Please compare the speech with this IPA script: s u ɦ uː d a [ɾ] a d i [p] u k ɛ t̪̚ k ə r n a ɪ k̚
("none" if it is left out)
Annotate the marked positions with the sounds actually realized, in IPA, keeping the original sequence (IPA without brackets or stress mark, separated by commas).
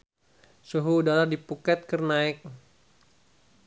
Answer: l, p